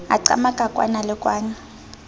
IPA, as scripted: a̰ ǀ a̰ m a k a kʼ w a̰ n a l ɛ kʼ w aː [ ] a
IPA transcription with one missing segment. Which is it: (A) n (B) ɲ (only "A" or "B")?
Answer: B